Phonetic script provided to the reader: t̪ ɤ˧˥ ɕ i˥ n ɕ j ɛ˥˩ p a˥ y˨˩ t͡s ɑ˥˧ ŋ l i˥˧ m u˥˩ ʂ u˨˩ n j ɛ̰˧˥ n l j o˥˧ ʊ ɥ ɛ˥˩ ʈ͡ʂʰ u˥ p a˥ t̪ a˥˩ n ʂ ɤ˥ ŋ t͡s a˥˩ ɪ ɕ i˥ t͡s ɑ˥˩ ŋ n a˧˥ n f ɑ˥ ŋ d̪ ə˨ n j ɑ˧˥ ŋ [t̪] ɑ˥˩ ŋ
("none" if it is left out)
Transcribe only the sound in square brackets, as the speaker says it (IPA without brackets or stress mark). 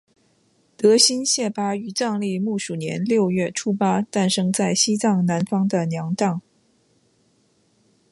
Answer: t̪